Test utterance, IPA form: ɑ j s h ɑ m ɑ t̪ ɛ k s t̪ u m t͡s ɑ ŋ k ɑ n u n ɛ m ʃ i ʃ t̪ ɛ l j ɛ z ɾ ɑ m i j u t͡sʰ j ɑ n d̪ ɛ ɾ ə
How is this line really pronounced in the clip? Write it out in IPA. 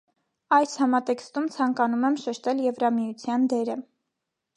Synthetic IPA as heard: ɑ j s h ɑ m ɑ t̪ ɛ k s t̪ u m t͡sʰ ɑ ŋ k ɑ n u m ɛ m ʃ ɛ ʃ t̪ ɛ l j ɛ v ɾ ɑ m i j u t͡sʰ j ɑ n d̪ ɛ ɾ ə